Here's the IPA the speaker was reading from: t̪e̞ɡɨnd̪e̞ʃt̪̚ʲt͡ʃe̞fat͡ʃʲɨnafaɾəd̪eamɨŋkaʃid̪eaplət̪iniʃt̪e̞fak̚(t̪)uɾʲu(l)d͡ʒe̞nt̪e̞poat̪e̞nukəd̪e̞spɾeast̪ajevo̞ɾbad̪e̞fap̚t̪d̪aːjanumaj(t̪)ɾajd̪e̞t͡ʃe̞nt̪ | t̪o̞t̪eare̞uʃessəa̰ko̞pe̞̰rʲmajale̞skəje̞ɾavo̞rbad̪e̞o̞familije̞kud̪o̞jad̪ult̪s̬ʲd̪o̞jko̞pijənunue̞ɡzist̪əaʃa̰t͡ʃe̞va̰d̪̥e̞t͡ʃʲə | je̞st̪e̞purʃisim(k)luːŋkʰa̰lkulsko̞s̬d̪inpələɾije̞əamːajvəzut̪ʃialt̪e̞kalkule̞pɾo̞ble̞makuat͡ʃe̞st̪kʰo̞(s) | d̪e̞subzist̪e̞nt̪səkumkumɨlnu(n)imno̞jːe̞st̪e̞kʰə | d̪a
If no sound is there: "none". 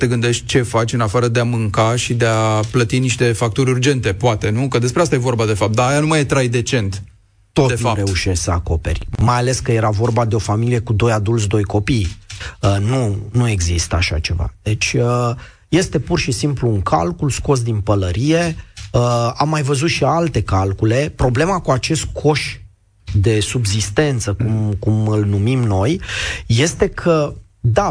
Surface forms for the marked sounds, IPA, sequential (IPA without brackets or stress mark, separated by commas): t̪, r, t̪, p, ʃ, m